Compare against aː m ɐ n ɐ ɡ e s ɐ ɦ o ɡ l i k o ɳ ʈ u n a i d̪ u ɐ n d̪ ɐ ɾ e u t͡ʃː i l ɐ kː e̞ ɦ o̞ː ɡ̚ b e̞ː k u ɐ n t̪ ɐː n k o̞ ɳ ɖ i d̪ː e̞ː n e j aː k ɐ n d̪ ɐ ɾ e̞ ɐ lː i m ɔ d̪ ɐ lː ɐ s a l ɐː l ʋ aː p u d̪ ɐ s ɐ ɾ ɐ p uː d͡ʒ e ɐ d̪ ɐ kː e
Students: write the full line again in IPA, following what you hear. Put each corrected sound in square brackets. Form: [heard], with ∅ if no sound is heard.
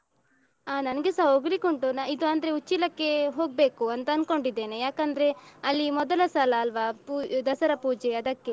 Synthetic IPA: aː [n] ɐ n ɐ ɡ e s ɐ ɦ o ɡ l i k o ɳ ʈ u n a i d̪ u ɐ n d̪ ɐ ɾ e u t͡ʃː i l ɐ kː e̞ ɦ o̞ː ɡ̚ b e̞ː k u ɐ n t̪ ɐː n k o̞ ɳ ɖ i d̪ː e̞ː n e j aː k ɐ n d̪ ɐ ɾ e̞ ɐ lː i m ɔ d̪ ɐ [l] ɐ s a l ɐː l ʋ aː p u d̪ ɐ s ɐ ɾ ɐ p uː d͡ʒ e ɐ d̪ ɐ kː e